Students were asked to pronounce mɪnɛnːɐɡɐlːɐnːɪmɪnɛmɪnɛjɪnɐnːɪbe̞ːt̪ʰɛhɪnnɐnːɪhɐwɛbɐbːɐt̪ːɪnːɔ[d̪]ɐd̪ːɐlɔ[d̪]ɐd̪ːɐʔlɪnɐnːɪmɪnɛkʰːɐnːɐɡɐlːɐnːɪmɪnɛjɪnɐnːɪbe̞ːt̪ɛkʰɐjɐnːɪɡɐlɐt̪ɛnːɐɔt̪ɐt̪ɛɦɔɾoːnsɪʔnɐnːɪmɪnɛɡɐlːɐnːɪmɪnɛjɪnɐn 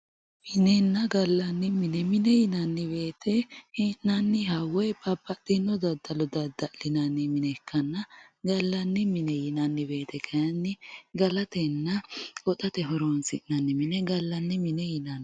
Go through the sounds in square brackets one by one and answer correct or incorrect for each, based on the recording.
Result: correct, correct

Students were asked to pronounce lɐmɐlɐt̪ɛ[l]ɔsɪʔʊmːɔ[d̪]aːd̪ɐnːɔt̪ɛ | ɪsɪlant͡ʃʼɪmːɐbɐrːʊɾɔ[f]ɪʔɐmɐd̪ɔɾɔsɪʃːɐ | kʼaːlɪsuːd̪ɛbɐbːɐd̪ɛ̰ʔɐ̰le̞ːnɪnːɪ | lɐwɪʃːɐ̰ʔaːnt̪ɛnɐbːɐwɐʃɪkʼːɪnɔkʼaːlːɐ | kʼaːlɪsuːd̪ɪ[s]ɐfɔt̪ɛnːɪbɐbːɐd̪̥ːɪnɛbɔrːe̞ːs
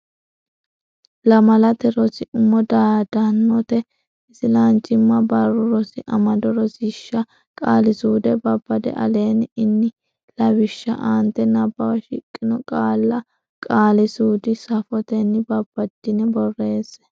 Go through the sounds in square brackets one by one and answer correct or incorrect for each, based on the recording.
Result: incorrect: ɾ, correct, incorrect: s, correct

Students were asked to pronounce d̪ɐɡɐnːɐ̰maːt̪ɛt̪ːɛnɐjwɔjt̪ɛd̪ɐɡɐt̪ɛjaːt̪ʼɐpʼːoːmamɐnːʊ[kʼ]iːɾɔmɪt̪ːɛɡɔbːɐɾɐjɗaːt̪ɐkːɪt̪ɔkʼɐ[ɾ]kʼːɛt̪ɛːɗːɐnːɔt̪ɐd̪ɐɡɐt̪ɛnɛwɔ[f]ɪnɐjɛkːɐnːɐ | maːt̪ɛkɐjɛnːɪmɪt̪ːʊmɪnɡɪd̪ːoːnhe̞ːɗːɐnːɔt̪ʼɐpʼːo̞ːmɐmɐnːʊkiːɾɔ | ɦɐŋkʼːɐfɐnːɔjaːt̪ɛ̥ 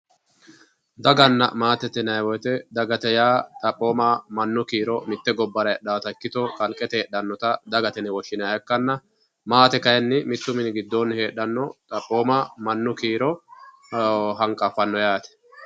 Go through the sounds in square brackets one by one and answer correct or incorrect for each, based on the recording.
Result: incorrect: k, incorrect: l, incorrect: ʃ

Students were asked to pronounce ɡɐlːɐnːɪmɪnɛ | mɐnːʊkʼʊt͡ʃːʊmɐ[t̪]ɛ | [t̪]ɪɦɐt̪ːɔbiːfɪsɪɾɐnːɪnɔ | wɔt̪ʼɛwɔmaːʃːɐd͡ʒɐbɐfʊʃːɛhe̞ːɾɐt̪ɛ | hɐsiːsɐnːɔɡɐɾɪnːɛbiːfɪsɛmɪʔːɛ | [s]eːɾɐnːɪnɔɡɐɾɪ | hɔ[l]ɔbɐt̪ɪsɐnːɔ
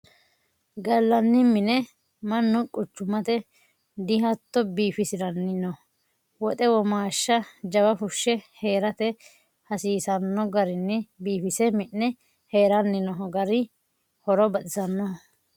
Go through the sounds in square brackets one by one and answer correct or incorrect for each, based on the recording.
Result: correct, incorrect: d̪, incorrect: h, incorrect: ɾ

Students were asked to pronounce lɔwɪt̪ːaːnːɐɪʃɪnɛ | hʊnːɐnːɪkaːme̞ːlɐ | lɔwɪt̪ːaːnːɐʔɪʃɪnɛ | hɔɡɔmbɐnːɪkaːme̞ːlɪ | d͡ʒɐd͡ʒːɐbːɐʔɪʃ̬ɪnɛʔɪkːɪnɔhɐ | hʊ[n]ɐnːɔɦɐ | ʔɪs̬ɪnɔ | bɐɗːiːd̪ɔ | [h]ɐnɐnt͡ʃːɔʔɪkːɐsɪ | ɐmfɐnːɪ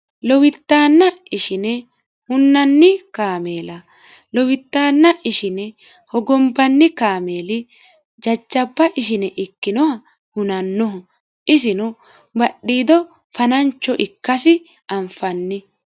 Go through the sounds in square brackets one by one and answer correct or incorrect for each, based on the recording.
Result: correct, incorrect: f

